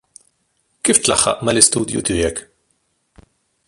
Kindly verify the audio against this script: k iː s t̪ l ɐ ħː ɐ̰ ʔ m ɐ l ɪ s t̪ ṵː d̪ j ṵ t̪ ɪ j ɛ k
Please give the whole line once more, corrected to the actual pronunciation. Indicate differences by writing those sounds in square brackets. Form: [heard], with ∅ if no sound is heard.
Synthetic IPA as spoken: k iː [f] t̪ l ɐ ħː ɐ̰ ʔ m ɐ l ɪ s t̪ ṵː d̪ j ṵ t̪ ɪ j ɛ k